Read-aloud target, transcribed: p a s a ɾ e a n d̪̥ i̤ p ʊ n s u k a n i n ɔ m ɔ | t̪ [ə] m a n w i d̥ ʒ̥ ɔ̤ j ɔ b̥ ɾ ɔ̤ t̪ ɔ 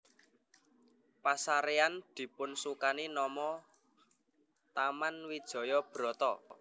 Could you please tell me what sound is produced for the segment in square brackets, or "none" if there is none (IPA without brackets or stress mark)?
a